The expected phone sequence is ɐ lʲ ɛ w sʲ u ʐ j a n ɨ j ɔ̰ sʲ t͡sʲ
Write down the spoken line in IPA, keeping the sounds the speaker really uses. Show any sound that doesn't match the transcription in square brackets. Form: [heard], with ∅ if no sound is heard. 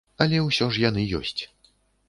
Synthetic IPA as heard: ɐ lʲ ɛ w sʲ [ɔ] ʐ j a n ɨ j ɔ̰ sʲ t͡sʲ